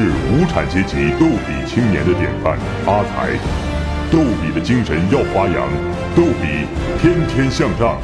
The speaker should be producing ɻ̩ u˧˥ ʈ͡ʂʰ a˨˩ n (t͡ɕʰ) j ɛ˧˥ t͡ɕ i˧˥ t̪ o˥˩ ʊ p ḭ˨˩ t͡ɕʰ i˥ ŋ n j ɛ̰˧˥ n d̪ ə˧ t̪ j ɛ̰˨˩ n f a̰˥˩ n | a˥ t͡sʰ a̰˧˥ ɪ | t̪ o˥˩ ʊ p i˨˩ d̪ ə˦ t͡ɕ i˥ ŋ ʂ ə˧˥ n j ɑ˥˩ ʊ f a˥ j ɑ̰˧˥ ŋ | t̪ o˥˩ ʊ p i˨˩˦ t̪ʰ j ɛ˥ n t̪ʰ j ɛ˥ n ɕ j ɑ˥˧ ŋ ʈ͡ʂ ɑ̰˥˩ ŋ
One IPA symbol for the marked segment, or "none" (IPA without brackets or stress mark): t͡ɕ